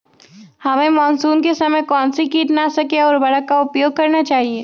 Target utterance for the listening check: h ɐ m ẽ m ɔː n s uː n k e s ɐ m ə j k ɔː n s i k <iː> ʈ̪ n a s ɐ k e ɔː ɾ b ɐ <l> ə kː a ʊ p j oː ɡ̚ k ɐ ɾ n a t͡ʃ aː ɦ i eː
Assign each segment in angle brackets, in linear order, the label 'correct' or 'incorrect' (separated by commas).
correct, incorrect